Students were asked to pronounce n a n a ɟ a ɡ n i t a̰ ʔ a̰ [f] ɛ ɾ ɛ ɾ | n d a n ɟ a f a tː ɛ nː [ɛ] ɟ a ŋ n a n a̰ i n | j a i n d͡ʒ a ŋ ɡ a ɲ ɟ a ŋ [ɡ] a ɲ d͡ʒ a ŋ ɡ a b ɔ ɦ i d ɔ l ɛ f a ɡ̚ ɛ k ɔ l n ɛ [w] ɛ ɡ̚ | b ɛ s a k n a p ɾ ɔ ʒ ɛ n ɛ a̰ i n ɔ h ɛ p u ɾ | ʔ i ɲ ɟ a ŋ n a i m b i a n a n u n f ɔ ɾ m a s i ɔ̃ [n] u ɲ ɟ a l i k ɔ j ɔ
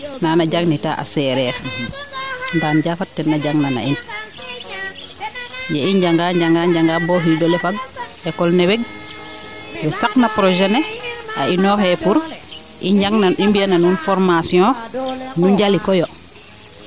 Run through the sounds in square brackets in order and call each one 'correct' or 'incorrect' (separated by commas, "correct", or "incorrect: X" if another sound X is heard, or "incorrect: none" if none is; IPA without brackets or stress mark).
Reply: incorrect: s, incorrect: a, correct, correct, correct